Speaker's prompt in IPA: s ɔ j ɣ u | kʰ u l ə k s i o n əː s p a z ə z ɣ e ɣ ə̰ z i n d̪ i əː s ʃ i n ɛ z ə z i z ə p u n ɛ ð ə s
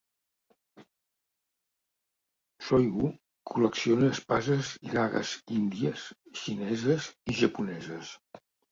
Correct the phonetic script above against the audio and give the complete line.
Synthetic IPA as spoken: s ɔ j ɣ u | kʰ u l ə k s i o n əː s p a z ə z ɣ a ɣ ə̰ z i n d̪ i ə s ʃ i n ɛ z ə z i ʒ ə p u n ɛ z ə s

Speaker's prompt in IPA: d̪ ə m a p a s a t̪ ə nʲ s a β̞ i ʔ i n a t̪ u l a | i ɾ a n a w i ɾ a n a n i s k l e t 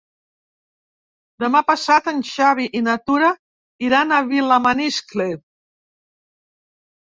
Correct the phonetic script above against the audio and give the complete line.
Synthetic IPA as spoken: d̪ ə m a p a s a t̪ ə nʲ ʃ a β̞ i ʔ i n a t̪ u ɾ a | i ɾ a n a β i l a m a n i s k l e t

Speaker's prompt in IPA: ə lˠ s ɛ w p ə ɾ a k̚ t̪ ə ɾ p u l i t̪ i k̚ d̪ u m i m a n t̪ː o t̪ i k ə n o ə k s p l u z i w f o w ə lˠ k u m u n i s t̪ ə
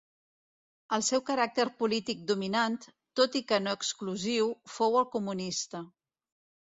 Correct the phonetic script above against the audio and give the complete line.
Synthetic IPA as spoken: ə lˠ s ɛ w k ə ɾ a k̚ t̪ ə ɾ p u l i t̪ i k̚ d̪ u m i n a n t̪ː o t̪ i k ə n o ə k s k l u z i w f o w ə lˠ k u m u n i s t̪ ə

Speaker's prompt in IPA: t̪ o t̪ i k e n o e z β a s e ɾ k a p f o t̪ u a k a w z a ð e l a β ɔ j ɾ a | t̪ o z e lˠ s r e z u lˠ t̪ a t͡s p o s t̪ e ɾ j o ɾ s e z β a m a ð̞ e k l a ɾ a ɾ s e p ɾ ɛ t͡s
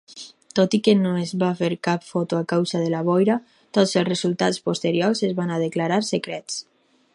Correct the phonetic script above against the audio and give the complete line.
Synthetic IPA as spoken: t̪ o t̪ i k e n o e z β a f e ɾ k a p f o t̪ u a k a w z a ð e l a β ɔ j ɾ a | t̪ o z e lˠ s r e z u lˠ t̪ a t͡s p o s t̪ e ɾ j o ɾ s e z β a n a ð̞ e k l a ɾ a ɾ s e k ɾ ɛ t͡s

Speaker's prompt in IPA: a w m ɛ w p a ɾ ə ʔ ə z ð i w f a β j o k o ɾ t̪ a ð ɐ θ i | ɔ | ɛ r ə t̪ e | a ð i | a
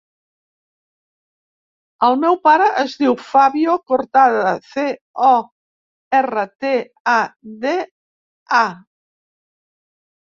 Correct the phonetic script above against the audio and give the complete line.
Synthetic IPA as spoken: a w m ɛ w p a ɾ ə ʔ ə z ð i w f a β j o k o ɾ t̪ a ð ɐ θ e | ɔ | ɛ r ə t̪ e | a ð e | a

